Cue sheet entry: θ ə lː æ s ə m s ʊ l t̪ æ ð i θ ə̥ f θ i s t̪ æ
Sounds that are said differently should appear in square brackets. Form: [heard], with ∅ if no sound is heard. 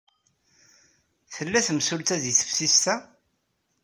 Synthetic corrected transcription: θ ə lː æ [θ] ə m s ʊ l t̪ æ ð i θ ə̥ f [s] i s t̪ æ